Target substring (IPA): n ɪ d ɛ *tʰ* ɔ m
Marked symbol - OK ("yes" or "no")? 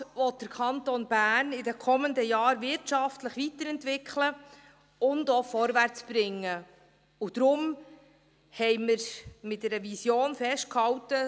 no